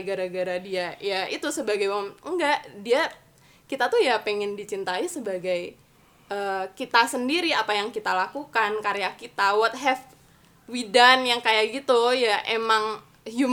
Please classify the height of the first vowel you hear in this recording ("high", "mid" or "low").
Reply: low